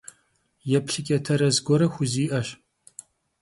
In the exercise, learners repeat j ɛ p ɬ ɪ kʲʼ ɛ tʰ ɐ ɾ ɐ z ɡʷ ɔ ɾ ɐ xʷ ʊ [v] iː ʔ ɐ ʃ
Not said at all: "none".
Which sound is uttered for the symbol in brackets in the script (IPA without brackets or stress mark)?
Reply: z